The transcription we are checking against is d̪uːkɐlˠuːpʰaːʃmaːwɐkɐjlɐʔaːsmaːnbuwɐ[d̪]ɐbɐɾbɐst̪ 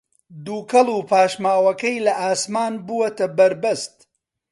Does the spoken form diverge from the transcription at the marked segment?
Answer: yes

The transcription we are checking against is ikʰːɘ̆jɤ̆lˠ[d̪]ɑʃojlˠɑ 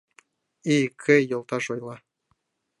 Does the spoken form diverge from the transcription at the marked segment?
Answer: yes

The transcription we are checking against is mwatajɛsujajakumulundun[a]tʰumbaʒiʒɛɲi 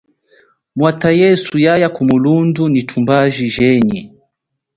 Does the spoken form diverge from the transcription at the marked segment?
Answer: yes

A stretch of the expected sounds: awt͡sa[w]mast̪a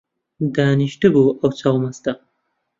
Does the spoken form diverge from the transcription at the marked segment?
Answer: no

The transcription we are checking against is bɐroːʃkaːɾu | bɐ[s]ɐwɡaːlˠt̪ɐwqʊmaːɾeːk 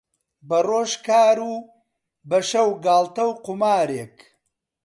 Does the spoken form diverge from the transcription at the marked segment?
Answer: yes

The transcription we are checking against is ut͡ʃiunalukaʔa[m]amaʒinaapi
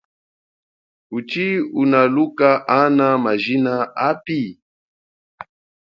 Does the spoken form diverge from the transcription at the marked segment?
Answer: yes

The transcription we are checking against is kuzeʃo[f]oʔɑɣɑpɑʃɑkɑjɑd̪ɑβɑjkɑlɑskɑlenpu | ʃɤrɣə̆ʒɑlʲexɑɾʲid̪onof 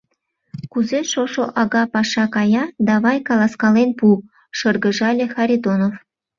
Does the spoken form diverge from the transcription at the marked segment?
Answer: yes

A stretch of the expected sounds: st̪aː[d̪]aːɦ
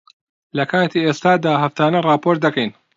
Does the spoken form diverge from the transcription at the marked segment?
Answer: no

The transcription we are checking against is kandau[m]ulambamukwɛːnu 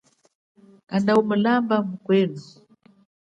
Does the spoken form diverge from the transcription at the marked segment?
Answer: no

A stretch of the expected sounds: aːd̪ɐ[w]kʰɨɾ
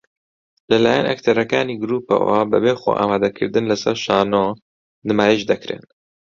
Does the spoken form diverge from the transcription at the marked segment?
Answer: yes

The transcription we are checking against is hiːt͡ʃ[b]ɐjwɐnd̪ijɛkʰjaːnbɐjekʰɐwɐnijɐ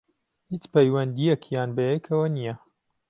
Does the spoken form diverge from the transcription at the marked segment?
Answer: yes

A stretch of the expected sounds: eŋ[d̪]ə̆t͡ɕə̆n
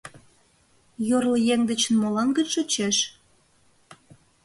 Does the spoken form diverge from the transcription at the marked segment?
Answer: no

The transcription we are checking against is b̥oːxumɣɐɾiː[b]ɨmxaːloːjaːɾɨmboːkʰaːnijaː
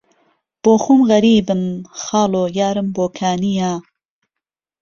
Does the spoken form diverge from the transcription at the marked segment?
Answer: no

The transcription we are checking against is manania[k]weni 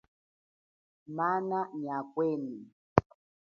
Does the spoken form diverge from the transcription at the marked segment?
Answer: no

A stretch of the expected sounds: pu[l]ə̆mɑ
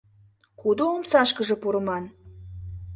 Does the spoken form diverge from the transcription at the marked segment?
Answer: yes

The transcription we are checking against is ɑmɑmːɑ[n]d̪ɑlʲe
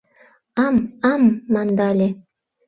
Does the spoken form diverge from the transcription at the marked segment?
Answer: no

